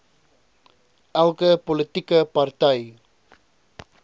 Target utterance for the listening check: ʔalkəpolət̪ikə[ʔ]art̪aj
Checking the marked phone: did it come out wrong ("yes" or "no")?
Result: yes